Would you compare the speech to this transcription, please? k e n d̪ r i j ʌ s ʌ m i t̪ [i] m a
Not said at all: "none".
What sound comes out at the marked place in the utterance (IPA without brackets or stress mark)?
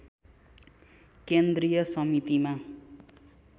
i